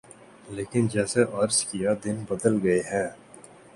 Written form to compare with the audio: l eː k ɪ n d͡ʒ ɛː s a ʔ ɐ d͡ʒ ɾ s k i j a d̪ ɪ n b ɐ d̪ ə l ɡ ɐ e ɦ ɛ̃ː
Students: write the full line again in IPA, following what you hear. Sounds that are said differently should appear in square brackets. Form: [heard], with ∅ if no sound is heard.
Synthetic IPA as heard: l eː k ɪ n d͡ʒ ɛː s [e] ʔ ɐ [∅] ɾ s k i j a d̪ ɪ n b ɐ d̪ ə l ɡ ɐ e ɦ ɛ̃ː